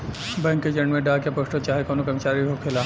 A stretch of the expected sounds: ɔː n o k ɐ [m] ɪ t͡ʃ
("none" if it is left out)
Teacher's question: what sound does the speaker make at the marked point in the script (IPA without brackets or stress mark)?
m